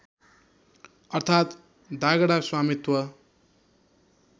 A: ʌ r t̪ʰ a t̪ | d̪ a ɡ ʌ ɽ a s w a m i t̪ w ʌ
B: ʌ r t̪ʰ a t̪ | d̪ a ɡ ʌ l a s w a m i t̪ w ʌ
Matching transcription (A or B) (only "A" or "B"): A